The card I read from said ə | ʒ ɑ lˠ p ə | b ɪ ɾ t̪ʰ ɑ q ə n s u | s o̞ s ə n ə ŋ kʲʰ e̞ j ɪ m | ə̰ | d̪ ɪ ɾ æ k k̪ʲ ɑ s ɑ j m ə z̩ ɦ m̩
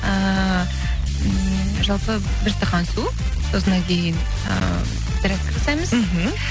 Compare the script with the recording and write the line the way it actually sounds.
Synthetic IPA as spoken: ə | ʒ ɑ lˠ p ə | b ɪ ɾ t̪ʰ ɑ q ɑ n s u | s o̞ s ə n ɑ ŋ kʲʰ e̞ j ɪ n | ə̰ | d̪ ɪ ɾ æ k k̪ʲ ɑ s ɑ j m ə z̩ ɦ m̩